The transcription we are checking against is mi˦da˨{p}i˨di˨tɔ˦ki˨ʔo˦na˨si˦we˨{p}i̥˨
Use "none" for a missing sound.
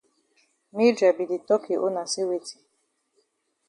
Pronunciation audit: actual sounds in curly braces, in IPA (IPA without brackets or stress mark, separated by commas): b, t